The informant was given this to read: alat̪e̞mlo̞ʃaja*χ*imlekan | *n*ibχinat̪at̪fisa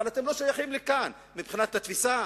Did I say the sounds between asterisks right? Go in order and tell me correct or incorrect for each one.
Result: correct, incorrect: m

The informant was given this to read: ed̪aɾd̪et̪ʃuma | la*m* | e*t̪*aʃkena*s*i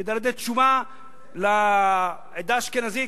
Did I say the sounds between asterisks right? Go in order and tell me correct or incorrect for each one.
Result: incorrect: none, incorrect: d̪, incorrect: z

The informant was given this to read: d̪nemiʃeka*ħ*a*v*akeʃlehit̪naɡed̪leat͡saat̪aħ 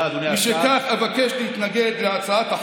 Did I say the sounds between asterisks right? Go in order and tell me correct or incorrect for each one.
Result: incorrect: χ, correct

